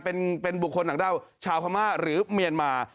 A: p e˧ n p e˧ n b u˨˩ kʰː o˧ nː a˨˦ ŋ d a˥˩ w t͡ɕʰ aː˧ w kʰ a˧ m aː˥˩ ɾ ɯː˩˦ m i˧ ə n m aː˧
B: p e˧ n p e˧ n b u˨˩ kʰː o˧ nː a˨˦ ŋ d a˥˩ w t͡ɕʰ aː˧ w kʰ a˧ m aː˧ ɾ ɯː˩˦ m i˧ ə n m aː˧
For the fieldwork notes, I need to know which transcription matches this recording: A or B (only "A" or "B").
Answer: A